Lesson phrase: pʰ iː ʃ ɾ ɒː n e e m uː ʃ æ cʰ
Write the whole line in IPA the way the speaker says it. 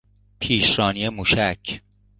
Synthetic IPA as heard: pʰ iː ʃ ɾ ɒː n i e m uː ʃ æ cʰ